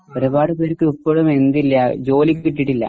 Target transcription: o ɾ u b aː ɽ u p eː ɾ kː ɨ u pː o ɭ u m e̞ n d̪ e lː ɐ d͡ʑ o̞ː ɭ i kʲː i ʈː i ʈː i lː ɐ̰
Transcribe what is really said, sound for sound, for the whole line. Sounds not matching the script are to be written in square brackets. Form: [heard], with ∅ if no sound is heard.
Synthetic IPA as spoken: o ɾ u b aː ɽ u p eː ɾ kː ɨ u pː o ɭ u m e̞ n d̪ [i] lː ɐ d͡ʑ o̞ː [l] i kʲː i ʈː i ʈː i lː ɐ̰